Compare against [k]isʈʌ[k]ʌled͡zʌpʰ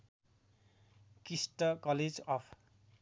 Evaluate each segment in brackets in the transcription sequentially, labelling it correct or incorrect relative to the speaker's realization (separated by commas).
correct, correct